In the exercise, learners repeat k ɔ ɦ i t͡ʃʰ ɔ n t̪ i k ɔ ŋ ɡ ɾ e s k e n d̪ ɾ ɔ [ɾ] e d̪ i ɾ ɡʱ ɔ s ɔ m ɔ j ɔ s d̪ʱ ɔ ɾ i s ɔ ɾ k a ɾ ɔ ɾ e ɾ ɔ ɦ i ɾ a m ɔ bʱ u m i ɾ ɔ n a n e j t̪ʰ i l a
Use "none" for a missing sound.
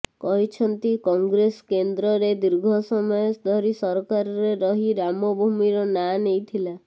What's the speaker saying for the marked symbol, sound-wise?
ɾ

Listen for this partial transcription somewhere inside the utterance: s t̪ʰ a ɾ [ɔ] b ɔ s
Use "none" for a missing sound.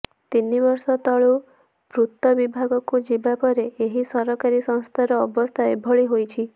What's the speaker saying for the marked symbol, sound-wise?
ɔː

